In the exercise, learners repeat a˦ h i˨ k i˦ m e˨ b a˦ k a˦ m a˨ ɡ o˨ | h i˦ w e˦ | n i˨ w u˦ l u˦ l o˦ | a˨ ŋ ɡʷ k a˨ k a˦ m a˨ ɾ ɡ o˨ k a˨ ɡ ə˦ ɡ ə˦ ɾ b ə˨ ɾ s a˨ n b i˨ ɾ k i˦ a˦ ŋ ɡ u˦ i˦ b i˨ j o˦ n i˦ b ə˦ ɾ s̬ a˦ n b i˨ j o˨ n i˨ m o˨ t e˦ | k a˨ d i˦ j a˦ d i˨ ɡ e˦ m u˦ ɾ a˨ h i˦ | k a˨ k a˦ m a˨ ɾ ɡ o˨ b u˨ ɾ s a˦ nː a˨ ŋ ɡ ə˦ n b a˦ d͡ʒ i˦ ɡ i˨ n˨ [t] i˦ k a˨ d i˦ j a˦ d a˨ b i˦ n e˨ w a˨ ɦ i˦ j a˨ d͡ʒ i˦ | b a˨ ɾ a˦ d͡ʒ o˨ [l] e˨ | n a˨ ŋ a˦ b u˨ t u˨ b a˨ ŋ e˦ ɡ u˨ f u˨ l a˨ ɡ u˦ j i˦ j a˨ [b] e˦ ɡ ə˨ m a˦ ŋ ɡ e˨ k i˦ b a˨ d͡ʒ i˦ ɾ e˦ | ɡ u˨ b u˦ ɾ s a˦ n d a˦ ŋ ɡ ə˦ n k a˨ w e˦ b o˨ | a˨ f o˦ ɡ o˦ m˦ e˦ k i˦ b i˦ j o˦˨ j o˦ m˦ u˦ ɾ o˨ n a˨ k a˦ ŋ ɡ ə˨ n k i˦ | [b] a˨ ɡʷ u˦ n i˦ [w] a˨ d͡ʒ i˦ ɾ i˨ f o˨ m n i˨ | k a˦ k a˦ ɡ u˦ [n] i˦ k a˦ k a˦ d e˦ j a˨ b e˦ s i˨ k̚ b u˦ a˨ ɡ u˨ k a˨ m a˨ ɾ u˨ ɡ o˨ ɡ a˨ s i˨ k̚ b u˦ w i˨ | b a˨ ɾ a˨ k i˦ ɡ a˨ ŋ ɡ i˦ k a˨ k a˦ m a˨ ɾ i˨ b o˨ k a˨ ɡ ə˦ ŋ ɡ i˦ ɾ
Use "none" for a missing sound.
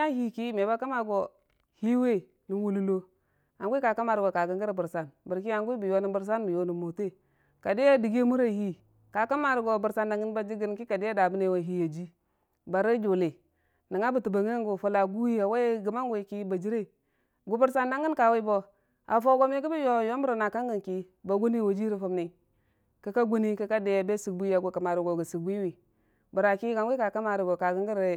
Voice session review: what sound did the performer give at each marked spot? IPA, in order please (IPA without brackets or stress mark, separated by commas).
k, l, w, b, w, n